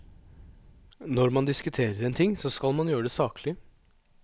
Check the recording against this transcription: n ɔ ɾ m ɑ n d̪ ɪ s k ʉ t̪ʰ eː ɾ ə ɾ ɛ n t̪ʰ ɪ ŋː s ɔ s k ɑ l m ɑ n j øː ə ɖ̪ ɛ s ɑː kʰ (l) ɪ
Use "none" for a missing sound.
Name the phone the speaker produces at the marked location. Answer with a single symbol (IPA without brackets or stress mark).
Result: l